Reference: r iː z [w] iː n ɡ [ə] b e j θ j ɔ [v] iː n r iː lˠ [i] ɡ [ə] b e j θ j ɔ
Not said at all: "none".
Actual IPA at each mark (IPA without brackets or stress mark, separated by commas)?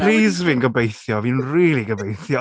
v, ə, v, i, ə